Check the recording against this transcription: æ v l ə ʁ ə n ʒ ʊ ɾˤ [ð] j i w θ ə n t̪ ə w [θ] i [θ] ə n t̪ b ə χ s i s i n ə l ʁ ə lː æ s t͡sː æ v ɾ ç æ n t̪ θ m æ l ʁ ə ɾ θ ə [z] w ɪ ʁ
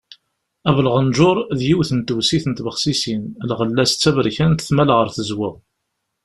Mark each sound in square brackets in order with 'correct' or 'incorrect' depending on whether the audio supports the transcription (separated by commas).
correct, incorrect, correct, correct